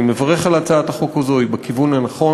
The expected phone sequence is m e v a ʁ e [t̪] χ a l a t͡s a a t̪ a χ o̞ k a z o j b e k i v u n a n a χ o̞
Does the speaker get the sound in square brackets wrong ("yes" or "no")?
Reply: yes